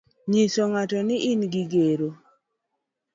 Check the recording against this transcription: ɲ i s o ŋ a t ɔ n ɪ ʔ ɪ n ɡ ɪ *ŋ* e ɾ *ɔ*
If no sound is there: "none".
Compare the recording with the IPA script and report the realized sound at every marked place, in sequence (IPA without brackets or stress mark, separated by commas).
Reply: ɡ, o